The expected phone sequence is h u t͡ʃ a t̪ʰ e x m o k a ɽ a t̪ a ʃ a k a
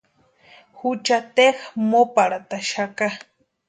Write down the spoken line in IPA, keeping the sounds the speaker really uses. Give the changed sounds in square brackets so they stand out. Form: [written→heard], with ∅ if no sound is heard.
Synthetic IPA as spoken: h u t͡ʃ a [t̪ʰ→t̪] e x m o [k→p] a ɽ a t̪ a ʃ a k a